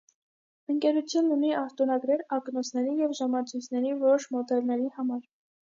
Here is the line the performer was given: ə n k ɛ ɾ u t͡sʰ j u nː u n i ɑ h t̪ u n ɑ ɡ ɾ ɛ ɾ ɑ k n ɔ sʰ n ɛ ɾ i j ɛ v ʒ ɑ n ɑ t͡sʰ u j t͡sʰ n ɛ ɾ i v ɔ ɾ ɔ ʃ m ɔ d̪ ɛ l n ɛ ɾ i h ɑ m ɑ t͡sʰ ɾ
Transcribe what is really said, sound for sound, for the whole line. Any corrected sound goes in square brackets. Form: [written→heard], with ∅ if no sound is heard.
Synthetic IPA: ə [n→ŋ] k ɛ ɾ u t͡sʰ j u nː u n i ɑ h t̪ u n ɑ ɡ ɾ ɛ ɾ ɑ k n ɔ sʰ n ɛ ɾ i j ɛ v ʒ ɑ [n→m] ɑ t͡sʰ u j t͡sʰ n ɛ ɾ i v ɔ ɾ ɔ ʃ m ɔ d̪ ɛ l n ɛ ɾ i h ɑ m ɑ [t͡sʰ→∅] ɾ

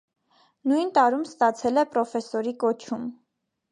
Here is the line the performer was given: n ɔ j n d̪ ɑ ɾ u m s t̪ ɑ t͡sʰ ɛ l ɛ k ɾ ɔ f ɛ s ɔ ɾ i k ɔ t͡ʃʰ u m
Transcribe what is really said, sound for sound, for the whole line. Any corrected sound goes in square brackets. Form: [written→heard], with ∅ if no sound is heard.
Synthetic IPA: n [ɔ→u] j n [d̪→t̪] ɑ ɾ u m s t̪ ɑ t͡sʰ ɛ l ɛ [k→p] ɾ ɔ f ɛ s ɔ ɾ i k ɔ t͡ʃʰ u m

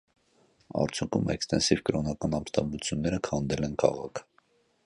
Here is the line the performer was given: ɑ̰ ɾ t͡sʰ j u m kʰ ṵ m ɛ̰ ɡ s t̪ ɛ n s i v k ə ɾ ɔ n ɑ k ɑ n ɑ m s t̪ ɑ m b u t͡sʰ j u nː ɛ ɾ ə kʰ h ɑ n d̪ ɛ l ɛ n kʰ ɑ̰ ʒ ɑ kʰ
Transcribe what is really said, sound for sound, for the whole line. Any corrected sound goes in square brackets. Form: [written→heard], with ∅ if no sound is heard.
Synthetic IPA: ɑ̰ ɾ t͡sʰ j u [m→ŋ] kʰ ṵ m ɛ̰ [ɡ→k] s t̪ ɛ n s i v k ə ɾ ɔ n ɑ k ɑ n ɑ m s t̪ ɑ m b u t͡sʰ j u nː ɛ ɾ ə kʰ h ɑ n d̪ ɛ l ɛ n kʰ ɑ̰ [ʒ→ʁ] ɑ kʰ

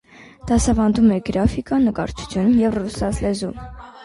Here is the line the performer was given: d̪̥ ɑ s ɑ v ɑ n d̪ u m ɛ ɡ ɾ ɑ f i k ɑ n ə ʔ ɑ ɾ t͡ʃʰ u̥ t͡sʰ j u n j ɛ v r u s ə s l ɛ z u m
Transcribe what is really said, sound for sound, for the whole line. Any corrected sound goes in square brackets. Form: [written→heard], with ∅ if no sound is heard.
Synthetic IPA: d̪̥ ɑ s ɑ v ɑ n d̪ u m ɛ ɡ ɾ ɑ f i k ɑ n ə [ʔ→k] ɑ ɾ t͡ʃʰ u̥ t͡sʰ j u n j ɛ v r u s [ə→ɑ] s l ɛ z u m

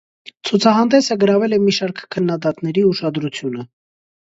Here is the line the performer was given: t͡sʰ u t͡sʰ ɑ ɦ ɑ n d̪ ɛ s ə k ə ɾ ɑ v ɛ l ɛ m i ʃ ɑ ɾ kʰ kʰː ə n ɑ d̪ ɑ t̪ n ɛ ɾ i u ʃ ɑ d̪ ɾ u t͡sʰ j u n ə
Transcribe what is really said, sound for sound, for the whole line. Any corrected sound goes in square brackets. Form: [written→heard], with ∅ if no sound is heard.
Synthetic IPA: t͡sʰ u t͡sʰ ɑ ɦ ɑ n d̪ ɛ s ə [k→ɡ] ə ɾ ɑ v ɛ l ɛ m i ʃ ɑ ɾ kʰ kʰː ə [n→nː] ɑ d̪ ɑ t̪ n ɛ ɾ i u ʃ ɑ d̪ ɾ u t͡sʰ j u n ə

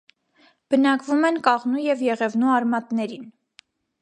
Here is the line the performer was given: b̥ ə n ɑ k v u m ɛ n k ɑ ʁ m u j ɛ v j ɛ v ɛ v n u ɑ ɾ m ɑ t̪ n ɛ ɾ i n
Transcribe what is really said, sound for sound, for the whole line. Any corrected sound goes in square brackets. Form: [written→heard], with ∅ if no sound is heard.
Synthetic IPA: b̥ ə n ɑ k v u m ɛ n k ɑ ʁ [m→n] u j ɛ v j ɛ [v→ʁ] ɛ v n u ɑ ɾ m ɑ t̪ n ɛ ɾ i n

